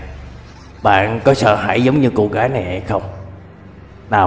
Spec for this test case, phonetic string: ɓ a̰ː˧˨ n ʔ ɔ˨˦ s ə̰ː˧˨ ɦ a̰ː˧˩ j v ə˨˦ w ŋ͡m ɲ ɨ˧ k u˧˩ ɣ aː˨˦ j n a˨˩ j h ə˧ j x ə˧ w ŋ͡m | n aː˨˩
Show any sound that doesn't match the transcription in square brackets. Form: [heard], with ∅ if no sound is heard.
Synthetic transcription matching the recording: ɓ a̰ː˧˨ n [k] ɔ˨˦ s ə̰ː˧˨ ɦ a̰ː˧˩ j [z] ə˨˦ w ŋ͡m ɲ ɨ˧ k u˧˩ ɣ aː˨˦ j n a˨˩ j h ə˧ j x ə˧ w ŋ͡m | n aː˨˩